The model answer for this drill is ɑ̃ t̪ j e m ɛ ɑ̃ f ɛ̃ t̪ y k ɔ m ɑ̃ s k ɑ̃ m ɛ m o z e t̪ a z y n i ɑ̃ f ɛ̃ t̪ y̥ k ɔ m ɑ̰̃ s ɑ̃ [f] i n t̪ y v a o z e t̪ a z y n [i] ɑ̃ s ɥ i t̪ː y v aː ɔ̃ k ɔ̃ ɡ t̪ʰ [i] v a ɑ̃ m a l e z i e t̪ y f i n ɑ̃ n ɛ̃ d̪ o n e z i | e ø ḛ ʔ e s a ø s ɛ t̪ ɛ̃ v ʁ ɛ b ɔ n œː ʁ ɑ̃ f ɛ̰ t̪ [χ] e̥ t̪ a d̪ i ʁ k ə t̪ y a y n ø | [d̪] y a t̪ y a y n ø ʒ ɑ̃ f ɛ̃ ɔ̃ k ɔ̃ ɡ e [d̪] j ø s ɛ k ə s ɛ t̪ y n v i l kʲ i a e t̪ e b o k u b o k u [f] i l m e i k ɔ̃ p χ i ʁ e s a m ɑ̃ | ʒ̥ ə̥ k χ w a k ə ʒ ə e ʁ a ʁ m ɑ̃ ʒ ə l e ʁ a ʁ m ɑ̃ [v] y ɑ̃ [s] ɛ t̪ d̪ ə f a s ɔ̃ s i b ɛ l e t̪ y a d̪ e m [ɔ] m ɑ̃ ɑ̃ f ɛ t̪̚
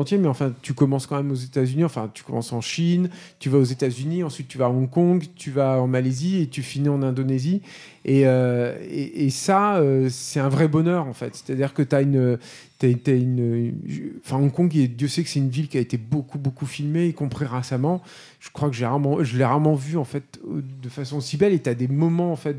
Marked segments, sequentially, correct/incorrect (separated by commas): incorrect, correct, incorrect, incorrect, incorrect, correct, correct, correct, incorrect, correct